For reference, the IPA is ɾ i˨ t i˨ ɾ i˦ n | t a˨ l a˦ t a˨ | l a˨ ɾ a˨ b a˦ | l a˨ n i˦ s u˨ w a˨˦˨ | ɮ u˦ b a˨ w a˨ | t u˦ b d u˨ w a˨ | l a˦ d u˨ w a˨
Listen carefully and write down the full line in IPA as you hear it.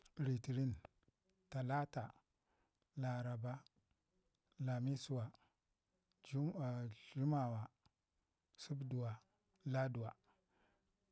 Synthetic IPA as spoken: ɾ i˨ t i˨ ɾ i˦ n | t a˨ l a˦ t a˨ | l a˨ ɾ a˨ b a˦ | l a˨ m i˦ s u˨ w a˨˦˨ | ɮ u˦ m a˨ w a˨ | s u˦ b d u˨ w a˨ | l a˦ d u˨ w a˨

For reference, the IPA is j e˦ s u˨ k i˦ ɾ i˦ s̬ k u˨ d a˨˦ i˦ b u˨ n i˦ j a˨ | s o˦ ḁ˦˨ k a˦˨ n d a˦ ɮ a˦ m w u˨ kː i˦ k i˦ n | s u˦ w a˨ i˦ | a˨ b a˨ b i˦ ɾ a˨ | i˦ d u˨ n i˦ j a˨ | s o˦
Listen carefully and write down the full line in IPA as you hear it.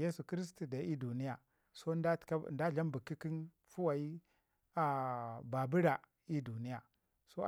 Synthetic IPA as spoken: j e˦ s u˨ k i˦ ɾ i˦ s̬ t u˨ d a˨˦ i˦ d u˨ n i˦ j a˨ | s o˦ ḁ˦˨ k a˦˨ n d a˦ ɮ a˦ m b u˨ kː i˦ k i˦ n | f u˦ w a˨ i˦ | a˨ b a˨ b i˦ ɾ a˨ | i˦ d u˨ n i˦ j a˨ | s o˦

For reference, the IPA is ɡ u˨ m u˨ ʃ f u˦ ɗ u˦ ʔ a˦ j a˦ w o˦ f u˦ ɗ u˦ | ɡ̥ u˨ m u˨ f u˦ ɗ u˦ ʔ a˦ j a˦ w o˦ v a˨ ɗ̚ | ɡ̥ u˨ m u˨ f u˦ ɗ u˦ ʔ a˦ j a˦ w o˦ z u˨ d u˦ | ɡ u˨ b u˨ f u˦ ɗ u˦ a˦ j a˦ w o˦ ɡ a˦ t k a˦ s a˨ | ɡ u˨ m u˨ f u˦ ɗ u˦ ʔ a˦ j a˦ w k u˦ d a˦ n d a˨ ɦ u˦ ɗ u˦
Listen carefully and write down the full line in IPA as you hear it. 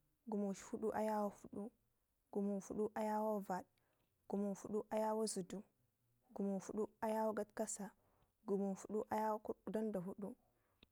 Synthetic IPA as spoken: ɡ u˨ m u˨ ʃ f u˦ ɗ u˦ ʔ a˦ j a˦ w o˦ f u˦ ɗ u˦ | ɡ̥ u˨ m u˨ f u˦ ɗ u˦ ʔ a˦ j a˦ w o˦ v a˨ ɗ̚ | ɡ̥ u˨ m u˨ f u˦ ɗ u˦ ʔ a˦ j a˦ w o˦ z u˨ d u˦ | ɡ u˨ m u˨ f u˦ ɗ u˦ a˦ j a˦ w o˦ ɡ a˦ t k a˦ s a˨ | ɡ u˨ m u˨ f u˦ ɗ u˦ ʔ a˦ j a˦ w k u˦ d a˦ n d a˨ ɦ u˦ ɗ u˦

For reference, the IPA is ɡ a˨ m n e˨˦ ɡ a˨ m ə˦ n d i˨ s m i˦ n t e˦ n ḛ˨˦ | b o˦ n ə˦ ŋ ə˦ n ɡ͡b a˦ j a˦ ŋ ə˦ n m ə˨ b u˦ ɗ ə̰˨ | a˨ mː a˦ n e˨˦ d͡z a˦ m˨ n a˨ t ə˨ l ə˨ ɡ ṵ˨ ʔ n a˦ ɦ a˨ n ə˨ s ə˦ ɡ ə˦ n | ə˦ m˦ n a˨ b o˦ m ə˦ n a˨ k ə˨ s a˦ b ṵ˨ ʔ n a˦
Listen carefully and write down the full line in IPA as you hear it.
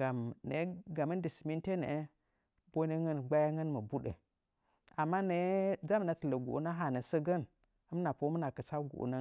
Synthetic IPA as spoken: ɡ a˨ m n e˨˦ ɡ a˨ m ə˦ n d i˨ s m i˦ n t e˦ n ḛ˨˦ | b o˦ n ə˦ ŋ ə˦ n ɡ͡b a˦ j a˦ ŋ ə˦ n m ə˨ b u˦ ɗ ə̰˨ | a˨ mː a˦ n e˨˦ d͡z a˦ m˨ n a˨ t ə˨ l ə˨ ɡ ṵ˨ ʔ n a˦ ɦ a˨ n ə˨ s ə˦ ɡ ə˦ n | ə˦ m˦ n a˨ p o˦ m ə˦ n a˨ k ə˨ s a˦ ɡ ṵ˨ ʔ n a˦

